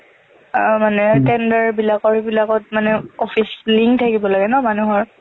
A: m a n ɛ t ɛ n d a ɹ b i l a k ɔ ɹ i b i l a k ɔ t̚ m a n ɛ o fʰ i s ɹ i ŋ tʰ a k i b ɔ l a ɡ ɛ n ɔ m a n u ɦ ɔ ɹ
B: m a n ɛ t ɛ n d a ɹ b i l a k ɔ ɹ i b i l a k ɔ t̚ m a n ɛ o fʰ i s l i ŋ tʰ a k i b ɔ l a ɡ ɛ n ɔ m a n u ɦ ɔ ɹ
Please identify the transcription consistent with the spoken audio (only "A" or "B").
B